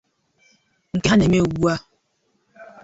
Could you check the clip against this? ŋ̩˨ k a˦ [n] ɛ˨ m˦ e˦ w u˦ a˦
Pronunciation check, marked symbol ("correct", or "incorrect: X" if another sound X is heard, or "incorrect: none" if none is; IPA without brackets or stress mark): correct